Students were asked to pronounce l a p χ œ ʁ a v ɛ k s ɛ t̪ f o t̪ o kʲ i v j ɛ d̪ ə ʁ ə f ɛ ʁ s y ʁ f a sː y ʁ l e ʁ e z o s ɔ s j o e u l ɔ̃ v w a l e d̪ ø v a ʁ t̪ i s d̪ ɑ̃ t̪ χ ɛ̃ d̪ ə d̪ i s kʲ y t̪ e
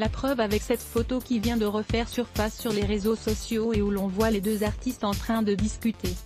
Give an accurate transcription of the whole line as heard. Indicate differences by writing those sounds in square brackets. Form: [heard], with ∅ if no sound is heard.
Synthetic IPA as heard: l a p χ œ [v] a v ɛ k s ɛ t̪ f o t̪ o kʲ i v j [ɛ̃] d̪ ə ʁ ə f ɛ ʁ s y ʁ f a sː y ʁ l e ʁ e z o s ɔ s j o e u l ɔ̃ v w a l e d̪ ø [z] a ʁ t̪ i s [t̪] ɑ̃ t̪ χ ɛ̃ d̪ ə d̪ i s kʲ y t̪ e